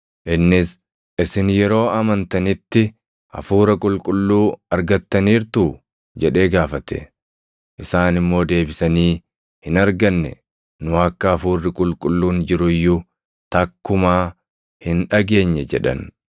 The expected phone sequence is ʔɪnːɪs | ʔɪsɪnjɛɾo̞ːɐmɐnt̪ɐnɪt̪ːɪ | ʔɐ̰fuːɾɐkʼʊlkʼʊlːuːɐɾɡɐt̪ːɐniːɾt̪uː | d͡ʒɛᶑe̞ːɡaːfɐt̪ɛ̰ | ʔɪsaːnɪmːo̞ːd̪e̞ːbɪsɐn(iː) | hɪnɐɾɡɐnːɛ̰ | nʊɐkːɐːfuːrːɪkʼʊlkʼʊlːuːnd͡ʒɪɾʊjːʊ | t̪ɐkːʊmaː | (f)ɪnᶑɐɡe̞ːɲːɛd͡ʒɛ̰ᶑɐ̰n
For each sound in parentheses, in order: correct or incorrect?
correct, incorrect

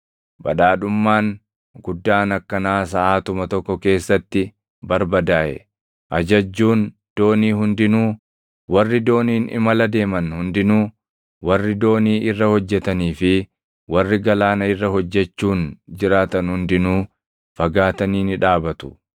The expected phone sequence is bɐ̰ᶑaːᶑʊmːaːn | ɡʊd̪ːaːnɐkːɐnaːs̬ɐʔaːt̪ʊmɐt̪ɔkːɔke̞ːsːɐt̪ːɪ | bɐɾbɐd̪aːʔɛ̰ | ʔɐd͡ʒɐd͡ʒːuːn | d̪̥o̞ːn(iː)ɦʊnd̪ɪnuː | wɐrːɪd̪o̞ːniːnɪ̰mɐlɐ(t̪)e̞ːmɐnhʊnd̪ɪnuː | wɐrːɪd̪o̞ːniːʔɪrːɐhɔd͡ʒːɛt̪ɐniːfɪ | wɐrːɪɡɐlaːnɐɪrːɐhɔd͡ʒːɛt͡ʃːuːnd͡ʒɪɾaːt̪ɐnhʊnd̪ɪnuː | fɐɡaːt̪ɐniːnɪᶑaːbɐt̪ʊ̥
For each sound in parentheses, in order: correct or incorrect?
correct, incorrect

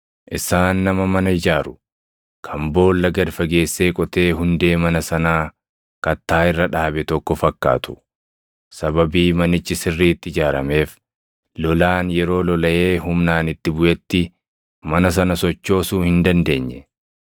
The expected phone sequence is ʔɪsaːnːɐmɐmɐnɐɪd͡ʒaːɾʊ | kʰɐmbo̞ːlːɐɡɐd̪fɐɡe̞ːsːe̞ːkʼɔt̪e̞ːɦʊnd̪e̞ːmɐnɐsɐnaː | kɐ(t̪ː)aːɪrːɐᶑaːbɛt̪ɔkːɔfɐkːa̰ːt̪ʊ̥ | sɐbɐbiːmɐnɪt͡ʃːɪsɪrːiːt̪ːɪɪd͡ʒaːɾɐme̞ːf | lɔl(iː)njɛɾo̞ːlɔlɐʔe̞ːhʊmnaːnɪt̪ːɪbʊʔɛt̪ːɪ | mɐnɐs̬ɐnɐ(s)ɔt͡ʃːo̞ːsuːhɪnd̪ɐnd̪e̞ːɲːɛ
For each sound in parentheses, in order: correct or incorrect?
correct, incorrect, correct

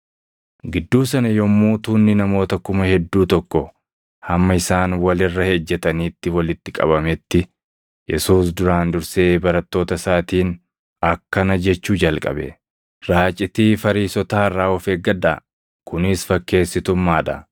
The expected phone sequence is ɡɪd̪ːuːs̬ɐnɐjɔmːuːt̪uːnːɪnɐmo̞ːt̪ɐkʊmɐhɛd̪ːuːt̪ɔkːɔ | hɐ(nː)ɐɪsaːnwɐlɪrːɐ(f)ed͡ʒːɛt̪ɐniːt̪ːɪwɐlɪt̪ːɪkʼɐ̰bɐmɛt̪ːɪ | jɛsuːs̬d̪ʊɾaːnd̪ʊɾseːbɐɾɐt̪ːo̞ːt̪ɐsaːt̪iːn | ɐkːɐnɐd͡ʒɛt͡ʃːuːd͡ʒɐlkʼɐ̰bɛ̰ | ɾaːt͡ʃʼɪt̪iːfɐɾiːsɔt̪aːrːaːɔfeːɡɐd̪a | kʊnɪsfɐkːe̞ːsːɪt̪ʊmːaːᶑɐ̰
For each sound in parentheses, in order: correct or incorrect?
incorrect, incorrect

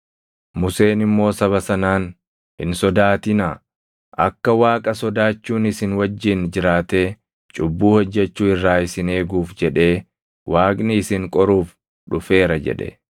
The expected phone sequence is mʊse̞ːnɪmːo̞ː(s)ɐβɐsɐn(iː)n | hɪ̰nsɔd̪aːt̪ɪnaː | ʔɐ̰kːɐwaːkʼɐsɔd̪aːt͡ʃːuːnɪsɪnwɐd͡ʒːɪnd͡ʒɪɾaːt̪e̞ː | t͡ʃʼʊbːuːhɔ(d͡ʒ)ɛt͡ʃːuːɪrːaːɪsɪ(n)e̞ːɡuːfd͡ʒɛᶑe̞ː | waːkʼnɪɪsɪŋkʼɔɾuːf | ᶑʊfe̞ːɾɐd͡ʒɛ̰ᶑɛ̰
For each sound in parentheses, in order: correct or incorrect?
correct, incorrect, incorrect, correct

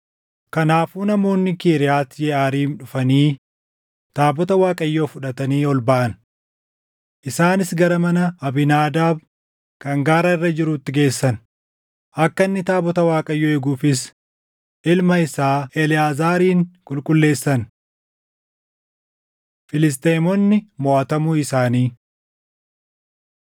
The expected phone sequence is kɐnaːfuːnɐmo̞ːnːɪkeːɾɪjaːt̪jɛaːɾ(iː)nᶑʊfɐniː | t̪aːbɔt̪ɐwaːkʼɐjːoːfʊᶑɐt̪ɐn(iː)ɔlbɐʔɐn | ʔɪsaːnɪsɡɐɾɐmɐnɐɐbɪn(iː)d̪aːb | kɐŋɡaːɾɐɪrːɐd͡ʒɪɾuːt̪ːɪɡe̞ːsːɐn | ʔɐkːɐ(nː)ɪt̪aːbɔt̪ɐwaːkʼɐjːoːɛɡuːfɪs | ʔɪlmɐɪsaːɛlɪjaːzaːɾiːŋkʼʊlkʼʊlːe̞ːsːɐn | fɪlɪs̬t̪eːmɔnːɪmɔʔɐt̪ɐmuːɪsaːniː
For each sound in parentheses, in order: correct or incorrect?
correct, correct, incorrect, correct

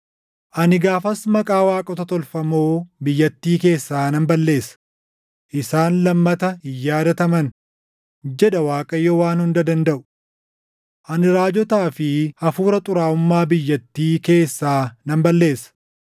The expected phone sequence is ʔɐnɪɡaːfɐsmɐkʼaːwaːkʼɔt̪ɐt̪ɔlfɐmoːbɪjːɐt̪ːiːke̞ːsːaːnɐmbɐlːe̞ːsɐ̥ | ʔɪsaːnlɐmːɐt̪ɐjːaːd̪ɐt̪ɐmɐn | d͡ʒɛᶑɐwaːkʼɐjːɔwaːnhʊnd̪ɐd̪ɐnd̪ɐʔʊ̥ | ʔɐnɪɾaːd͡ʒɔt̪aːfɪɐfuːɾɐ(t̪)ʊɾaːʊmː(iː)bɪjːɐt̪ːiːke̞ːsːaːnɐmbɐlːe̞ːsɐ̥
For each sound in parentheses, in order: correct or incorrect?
incorrect, incorrect

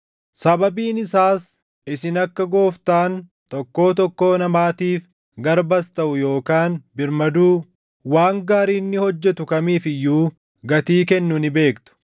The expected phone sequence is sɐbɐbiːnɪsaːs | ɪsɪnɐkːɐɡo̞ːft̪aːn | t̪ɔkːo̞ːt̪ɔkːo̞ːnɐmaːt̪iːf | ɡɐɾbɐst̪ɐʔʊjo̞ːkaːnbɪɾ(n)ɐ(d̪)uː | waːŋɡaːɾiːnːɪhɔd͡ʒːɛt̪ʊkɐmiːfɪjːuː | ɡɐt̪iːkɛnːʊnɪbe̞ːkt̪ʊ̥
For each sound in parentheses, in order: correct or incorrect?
incorrect, correct

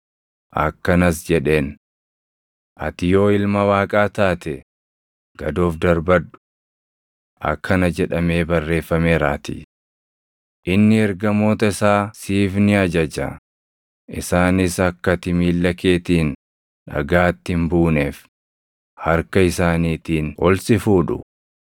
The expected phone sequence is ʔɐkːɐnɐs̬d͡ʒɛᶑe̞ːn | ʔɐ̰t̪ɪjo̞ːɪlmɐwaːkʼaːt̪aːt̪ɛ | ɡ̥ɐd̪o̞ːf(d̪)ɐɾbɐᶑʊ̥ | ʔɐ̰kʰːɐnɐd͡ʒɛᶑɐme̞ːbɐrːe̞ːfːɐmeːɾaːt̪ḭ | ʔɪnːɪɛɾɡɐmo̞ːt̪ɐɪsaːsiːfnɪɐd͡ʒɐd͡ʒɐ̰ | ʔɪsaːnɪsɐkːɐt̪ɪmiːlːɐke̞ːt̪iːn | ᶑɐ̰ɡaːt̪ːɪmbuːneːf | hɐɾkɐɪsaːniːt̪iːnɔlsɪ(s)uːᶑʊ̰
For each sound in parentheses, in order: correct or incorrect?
correct, incorrect

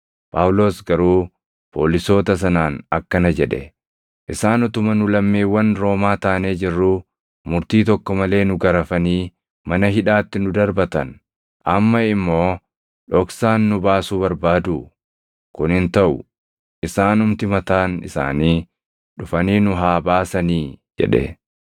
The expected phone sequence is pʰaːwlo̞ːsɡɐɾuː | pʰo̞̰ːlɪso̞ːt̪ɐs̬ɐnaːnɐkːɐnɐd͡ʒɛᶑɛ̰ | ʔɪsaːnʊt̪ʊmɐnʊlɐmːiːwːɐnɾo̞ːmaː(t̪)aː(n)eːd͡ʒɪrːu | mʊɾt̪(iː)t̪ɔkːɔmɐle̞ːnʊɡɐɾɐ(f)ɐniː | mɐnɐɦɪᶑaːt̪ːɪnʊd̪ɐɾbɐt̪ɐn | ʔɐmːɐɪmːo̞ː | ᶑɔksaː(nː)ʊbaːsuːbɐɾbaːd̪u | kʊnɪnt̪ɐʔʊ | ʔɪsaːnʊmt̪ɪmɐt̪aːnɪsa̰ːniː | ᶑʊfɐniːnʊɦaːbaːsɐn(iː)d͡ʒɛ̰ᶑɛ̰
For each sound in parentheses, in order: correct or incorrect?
correct, correct, correct, correct, correct, correct

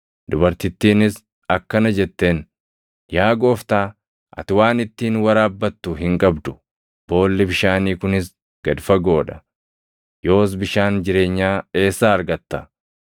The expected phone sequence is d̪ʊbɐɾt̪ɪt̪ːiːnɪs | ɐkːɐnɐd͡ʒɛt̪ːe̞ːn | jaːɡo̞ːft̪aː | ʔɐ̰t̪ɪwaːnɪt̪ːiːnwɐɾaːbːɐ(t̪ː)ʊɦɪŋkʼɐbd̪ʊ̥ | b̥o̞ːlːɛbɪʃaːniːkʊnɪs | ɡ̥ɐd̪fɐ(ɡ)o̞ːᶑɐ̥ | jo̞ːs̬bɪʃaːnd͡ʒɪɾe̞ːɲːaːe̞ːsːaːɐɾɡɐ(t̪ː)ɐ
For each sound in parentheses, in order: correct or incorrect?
correct, correct, correct

